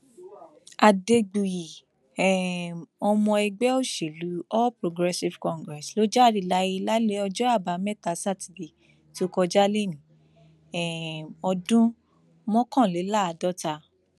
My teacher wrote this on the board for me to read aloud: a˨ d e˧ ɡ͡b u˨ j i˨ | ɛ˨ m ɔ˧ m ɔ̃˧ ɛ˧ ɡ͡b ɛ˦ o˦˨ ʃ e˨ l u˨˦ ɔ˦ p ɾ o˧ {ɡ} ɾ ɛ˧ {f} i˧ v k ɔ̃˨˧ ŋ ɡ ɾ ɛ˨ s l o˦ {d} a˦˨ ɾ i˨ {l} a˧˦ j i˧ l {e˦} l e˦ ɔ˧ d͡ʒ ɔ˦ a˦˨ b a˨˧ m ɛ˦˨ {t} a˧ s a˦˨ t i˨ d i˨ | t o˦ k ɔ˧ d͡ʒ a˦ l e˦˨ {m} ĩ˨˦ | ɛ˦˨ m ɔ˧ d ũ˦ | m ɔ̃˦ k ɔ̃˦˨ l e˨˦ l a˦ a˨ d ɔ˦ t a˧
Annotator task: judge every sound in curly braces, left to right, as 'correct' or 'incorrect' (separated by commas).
correct, incorrect, incorrect, correct, incorrect, correct, incorrect